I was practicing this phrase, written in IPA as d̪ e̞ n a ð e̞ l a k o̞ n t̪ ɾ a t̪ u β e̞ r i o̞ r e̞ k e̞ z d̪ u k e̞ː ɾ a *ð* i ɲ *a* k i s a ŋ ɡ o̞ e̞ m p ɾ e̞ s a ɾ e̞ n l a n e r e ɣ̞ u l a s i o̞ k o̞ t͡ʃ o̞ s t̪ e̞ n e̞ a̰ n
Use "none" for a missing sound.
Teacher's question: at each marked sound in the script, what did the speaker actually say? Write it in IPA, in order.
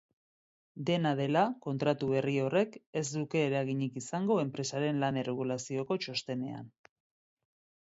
ɣ, i

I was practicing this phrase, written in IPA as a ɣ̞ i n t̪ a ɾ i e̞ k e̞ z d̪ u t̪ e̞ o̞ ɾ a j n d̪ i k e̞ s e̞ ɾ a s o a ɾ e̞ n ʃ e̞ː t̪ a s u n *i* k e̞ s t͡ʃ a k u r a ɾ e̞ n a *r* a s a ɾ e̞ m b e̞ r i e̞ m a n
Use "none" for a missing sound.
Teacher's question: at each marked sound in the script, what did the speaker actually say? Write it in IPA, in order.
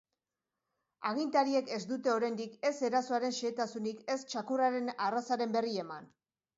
i, r

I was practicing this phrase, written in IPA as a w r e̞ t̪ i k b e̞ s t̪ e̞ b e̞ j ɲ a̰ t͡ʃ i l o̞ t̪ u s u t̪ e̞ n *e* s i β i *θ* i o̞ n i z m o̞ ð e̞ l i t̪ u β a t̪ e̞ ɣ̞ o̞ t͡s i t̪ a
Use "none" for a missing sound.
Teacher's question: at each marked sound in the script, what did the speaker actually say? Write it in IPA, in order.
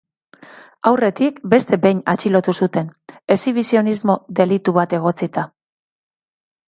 e, s

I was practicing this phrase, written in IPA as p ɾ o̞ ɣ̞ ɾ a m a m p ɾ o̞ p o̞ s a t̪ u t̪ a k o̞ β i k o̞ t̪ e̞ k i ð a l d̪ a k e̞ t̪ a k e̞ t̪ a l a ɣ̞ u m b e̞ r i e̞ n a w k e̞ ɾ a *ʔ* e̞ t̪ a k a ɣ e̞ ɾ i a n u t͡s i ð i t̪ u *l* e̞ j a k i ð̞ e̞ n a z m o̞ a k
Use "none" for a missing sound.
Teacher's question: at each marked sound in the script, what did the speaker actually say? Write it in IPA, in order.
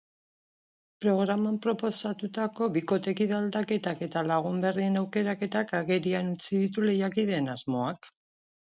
k, l

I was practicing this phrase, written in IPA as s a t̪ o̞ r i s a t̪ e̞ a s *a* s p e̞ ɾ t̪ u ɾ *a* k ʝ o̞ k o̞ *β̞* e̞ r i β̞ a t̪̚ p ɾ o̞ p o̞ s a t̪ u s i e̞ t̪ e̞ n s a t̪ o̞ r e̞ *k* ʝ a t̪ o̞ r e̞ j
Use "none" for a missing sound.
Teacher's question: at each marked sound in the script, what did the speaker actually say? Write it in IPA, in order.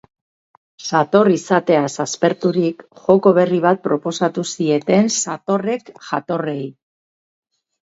a, i, β̞, k

